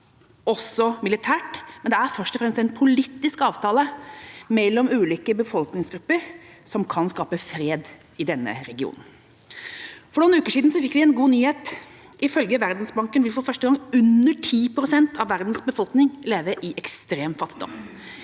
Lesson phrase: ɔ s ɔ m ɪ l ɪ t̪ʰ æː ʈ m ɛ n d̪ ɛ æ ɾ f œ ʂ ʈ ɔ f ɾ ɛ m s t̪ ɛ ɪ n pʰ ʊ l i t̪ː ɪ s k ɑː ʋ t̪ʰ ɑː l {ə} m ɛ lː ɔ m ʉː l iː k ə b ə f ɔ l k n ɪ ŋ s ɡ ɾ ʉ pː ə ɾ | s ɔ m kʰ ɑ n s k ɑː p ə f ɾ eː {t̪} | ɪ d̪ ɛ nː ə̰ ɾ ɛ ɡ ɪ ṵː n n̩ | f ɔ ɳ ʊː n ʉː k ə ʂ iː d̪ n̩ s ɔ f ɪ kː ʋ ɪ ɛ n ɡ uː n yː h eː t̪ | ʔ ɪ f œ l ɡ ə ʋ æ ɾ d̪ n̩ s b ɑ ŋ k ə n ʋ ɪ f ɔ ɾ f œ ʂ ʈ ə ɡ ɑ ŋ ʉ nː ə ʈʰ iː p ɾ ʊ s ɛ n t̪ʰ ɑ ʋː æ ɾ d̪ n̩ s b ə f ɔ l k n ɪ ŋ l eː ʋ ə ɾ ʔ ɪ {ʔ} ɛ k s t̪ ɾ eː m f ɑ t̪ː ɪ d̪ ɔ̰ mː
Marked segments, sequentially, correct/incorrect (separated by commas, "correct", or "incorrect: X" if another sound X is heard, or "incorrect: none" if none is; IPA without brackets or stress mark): correct, incorrect: d̪, correct